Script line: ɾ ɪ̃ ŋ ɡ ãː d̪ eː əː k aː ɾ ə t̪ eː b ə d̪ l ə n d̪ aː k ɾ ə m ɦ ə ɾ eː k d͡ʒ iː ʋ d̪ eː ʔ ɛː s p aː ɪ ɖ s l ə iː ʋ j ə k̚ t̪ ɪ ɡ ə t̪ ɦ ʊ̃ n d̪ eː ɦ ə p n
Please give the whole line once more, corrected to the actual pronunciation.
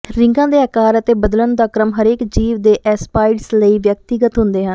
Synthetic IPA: ɾ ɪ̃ ŋ ɡ ãː d̪ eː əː k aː ɾ ə t̪ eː b ə d̪ l ə n d̪ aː k ɾ ə m ɦ ə ɾ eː k d͡ʒ iː ʋ d̪ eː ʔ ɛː s p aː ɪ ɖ s l ə iː ʋ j ə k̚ t̪ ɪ ɡ ə t̪ ɦ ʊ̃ n d̪ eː ɦ ə n